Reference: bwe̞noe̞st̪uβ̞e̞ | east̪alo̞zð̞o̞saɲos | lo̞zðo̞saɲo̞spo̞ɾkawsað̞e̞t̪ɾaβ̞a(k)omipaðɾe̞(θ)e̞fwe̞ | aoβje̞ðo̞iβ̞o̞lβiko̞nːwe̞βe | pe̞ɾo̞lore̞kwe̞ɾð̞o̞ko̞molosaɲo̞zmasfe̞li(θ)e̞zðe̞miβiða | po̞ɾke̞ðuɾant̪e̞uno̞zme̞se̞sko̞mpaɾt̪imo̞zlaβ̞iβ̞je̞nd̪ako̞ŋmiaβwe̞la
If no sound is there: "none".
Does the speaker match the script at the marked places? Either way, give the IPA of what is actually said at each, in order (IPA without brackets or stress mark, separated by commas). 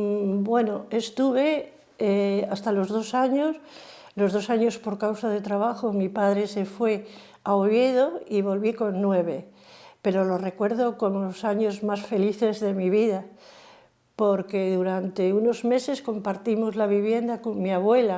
x, s, θ